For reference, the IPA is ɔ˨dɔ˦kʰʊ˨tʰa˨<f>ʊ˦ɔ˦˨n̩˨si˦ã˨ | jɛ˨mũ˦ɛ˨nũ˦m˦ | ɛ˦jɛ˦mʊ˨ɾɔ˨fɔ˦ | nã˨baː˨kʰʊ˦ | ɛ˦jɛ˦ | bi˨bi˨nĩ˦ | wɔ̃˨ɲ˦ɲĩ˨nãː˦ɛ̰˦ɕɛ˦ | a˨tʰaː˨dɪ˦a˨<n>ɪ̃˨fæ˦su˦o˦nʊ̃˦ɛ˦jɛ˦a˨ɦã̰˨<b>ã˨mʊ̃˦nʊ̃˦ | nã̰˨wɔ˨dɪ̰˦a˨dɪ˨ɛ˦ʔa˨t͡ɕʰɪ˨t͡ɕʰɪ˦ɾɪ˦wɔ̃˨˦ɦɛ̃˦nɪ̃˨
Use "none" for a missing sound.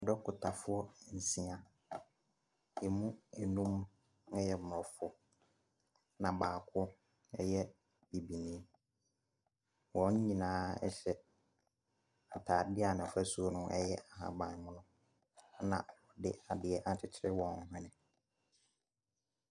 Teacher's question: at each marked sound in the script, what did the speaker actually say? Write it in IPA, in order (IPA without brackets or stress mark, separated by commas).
f, n, b